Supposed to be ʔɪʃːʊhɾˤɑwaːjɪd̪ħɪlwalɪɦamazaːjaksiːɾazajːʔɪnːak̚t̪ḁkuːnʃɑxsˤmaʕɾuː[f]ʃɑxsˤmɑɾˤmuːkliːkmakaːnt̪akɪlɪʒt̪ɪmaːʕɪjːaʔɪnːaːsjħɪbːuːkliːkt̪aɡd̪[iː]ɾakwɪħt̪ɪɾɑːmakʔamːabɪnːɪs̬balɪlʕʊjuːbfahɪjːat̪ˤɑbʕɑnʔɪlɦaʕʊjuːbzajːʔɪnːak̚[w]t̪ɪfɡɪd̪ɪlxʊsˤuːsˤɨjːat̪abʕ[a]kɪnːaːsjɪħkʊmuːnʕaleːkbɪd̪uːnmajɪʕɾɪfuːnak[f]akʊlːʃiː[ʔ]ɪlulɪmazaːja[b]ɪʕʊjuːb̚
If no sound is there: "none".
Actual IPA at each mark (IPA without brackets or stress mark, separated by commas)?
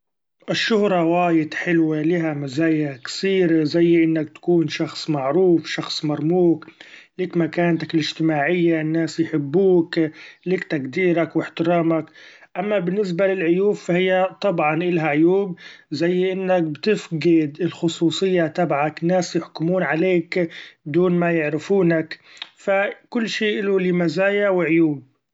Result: f, iː, b, a, f, ʔ, w